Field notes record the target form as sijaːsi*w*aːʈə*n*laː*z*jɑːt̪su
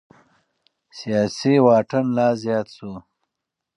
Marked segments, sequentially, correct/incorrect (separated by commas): correct, correct, correct